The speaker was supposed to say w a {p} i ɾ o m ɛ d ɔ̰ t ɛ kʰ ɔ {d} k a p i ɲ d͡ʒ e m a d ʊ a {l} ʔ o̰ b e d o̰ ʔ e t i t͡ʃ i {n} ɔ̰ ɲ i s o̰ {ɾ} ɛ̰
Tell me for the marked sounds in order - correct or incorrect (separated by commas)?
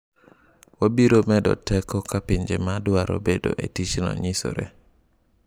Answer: incorrect, incorrect, incorrect, correct, correct